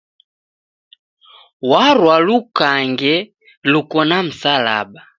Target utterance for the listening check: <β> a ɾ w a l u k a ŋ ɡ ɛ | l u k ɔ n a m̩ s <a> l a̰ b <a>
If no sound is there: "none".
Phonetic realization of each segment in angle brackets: w, a, a

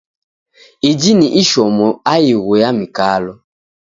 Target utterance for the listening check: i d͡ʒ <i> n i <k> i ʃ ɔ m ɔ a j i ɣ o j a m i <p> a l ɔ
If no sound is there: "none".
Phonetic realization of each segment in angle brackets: i, ʔ, k

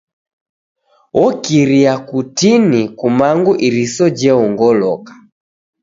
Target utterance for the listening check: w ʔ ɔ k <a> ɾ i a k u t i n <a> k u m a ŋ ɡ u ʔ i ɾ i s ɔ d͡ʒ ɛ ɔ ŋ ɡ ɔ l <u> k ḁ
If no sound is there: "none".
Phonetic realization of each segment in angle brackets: i, i, ɔ

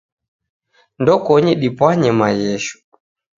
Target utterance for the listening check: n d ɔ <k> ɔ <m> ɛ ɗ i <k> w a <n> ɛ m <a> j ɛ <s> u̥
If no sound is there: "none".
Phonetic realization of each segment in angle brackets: k, ɲ, p, ɲ, a, ʃ

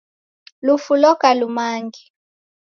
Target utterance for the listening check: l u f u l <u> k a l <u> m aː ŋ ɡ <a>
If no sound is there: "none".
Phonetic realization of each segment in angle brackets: ɔ, u, i

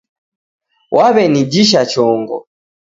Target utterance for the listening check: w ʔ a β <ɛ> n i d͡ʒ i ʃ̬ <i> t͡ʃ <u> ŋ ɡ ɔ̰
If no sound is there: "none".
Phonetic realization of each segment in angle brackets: ɛ, a, ɔ

